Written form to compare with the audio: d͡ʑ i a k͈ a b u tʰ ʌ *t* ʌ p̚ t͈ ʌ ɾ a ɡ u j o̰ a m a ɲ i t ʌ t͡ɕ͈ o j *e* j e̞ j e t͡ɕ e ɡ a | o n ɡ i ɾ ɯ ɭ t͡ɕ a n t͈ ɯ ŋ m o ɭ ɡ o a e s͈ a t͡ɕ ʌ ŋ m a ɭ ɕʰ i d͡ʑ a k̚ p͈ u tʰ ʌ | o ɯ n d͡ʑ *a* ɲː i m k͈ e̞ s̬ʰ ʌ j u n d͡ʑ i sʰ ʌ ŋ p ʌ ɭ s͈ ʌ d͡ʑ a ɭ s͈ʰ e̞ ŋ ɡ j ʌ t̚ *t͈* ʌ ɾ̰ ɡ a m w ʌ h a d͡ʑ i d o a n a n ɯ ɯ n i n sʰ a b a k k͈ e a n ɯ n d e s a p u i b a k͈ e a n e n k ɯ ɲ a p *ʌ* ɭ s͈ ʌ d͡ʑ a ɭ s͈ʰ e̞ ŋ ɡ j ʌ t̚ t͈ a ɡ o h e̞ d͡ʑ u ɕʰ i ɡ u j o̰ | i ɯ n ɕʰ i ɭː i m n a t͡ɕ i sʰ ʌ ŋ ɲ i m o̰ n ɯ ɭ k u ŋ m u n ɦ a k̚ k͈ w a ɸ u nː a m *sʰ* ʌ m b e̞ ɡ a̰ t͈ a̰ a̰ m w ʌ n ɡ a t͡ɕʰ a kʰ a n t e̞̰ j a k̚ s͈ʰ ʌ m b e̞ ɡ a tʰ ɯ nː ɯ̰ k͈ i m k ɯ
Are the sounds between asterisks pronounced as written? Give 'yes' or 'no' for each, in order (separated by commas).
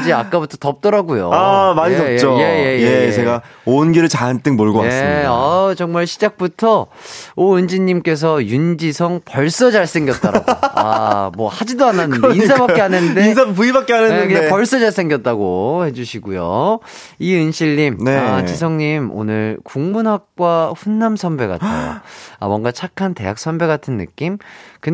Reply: yes, yes, no, yes, yes, yes